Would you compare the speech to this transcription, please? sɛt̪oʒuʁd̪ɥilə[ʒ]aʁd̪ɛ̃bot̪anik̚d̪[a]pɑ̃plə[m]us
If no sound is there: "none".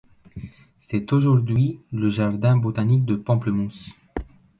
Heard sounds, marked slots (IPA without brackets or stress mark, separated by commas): ʒ, ə, m